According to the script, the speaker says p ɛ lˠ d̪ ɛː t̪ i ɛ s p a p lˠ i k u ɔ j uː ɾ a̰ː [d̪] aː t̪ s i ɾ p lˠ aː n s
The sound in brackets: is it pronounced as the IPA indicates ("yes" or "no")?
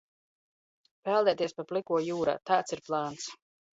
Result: no